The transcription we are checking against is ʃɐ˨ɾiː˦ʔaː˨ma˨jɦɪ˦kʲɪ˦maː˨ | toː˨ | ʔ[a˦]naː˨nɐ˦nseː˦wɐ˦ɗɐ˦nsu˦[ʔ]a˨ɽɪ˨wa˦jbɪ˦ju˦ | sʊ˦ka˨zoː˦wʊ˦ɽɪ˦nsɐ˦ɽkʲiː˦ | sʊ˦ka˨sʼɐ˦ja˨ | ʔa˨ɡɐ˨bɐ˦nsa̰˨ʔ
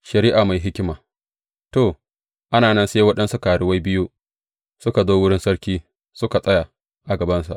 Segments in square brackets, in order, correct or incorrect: correct, incorrect: k

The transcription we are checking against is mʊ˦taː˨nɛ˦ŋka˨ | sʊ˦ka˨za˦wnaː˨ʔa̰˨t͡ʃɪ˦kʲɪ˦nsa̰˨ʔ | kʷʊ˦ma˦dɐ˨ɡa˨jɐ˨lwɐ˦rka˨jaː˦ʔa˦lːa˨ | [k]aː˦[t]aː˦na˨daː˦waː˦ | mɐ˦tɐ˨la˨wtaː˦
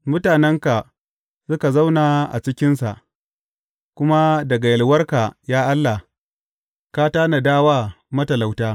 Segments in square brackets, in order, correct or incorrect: correct, correct

